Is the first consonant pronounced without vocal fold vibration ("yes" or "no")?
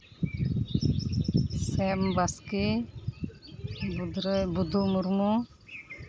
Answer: yes